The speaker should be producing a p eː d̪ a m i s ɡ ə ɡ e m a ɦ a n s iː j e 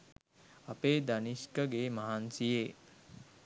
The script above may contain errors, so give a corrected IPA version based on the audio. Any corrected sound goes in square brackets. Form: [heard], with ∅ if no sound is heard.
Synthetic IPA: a p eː d̪ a [n] i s [k] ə ɡ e m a ɦ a n s [i] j e